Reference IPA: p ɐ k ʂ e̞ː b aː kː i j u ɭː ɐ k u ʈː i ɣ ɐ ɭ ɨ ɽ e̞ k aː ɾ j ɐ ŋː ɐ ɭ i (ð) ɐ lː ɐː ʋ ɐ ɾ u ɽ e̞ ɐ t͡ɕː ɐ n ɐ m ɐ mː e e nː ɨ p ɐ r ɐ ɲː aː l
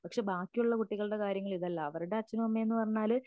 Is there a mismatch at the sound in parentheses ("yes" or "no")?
no